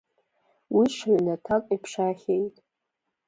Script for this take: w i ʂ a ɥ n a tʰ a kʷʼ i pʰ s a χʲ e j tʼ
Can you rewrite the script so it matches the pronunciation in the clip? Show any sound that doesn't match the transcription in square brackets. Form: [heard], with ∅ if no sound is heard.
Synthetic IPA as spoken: w i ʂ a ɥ n a tʰ a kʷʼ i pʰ [ʂ] a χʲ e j tʼ